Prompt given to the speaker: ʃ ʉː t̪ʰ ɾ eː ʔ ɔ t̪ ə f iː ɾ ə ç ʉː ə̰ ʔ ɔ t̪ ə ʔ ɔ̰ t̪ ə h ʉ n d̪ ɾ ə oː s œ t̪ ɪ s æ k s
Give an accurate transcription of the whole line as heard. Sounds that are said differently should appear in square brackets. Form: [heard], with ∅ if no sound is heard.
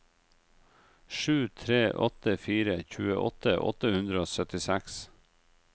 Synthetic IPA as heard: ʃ ʉː t̪ʰ ɾ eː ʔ ɔ t̪ ə f iː ɾ ə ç ʉː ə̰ ʔ ɔ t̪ ə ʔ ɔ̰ t̪ ə h ʉ n d̪ ɾ ə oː s œ t̪ ɪ s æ k s

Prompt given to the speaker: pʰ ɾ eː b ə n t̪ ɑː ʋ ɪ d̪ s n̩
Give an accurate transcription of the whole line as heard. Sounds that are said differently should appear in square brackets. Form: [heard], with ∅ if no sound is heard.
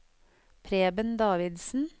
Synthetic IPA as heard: pʰ ɾ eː b ə n [d̪] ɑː ʋ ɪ d̪ s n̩

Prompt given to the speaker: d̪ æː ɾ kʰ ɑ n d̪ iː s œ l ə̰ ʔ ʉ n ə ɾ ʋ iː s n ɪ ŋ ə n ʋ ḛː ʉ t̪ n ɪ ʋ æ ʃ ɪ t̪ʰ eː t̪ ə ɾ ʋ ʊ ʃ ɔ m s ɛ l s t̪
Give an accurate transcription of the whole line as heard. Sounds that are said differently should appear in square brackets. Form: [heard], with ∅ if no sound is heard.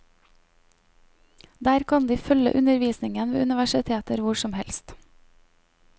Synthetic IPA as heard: d̪ æː ɾ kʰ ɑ n d̪ iː [f] œ l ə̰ ʔ ʉ n ə ɾ ʋ iː s n ɪ ŋ ə n ʋ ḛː ʉ [∅] n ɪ ʋ æ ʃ ɪ t̪ʰ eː t̪ ə ɾ ʋ ʊ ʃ ɔ m [h] ɛ l s t̪

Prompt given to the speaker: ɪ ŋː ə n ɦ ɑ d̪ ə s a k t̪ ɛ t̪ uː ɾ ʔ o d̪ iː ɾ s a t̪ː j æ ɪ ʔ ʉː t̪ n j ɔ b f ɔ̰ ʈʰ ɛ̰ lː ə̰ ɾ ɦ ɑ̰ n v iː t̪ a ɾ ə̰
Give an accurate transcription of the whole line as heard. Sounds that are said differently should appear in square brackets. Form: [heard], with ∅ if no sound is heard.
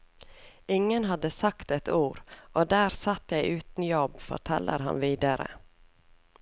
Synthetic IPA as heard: ɪ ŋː ə n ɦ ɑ d̪ ə s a k t̪ ɛ t̪ uː ɾ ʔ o d̪ [æː] ɾ s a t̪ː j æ ɪ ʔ ʉː t̪ n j ɔ b f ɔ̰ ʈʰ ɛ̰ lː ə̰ ɾ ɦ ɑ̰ n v iː [d̪] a ɾ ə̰

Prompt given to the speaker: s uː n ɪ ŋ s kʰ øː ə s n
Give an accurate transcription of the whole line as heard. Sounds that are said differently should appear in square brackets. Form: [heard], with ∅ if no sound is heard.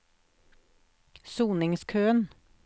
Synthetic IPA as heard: s uː n ɪ ŋ s kʰ øː ə [∅] n

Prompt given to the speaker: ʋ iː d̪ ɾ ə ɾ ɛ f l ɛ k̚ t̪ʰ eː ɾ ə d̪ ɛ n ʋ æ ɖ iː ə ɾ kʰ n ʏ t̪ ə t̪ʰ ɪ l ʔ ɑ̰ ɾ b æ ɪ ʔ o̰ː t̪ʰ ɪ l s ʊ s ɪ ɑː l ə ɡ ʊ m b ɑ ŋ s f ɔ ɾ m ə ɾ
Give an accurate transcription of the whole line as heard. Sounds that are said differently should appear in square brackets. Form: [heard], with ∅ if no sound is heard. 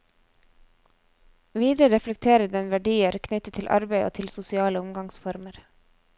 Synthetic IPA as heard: ʋ iː d̪ ɾ ə ɾ ɛ f l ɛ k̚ t̪ʰ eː ɾ ə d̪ ɛ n ʋ æ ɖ iː ə ɾ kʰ n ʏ t̪ ə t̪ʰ ɪ l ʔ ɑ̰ ɾ b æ ɪ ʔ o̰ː t̪ʰ ɪ l s ʊ s ɪ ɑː l ə [∅] ʊ m [ɡ] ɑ ŋ s f ɔ ɾ m ə ɾ

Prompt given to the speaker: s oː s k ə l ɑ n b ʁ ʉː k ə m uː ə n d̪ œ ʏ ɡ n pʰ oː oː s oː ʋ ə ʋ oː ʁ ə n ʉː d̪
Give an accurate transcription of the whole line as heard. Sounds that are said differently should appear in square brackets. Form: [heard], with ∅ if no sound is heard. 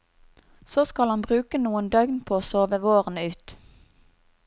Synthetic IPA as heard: s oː s k [ɑ] l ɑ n b ʁ ʉː k ə [n] uː ə n d̪ œ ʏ ɡ n pʰ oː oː s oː ʋ ə ʋ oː ʁ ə n ʉː [t̪]

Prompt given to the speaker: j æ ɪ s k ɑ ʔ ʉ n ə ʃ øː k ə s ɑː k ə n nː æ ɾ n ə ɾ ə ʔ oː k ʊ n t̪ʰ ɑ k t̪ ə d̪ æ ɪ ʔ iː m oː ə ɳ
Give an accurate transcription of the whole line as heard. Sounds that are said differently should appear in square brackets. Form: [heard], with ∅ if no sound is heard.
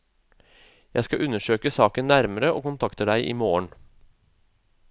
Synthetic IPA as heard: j æ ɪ s k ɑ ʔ ʉ n ə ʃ øː k ə s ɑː k ə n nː æ ɾ [m] ə ɾ ə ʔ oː k ʊ n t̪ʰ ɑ k t̪ ə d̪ æ ɪ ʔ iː m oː ə ɳ

